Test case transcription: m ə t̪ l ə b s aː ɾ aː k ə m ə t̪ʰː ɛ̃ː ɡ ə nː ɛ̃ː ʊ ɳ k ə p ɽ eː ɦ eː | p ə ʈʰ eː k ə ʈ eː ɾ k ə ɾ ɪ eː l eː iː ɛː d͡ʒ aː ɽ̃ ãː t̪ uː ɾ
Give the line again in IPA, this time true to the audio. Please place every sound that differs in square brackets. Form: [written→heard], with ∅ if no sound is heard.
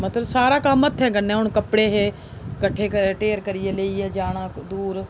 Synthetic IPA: m ə t̪ l ə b s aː ɾ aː k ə m ə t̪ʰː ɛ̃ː ɡ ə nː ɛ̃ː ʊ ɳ k ə p ɽ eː ɦ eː | [p→k] ə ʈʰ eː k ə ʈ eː ɾ k ə ɾ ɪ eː l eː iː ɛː d͡ʒ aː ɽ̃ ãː [t̪→d̪] uː ɾ